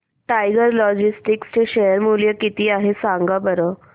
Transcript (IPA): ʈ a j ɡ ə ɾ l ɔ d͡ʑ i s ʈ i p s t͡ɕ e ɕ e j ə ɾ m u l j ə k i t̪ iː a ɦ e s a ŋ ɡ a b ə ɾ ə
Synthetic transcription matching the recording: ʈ a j ɡ ə ɾ l ɔ d͡ʑ i s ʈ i k s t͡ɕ e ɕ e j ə ɾ m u l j ə k i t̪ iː a ɦ e s a ŋ ɡ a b ə ɾ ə

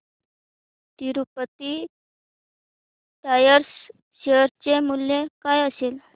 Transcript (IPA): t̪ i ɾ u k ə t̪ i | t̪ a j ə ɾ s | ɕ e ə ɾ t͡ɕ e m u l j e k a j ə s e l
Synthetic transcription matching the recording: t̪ i ɾ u p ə t̪ i | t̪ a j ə ɾ s | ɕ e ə ɾ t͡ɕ e m u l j e k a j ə s e l

